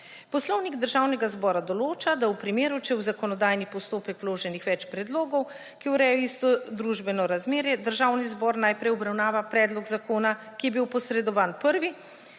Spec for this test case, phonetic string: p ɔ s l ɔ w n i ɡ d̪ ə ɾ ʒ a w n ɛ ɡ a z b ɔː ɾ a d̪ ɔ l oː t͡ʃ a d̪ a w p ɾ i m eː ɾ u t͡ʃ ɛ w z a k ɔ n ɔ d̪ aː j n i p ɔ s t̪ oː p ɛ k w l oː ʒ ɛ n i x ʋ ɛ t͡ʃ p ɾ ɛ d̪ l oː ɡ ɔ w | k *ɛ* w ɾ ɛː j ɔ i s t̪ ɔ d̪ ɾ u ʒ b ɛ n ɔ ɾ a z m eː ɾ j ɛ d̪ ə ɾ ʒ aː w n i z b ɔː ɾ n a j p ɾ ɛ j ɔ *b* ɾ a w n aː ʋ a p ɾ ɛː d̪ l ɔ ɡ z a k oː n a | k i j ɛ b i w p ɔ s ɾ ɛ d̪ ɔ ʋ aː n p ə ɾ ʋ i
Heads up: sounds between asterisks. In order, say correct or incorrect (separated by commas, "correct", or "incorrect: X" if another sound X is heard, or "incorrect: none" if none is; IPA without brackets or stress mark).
incorrect: i, correct